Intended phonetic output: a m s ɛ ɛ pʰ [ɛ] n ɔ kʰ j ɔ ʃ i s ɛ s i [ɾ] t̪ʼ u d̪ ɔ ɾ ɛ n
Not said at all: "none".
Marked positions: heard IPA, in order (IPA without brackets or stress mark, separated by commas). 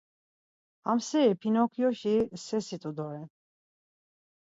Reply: i, none